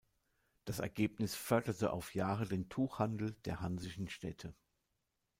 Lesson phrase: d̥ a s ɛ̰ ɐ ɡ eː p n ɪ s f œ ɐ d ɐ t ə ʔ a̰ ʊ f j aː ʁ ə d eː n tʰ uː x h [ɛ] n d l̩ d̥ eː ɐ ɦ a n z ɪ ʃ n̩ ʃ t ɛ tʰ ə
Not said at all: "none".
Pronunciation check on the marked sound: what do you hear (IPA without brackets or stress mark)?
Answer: a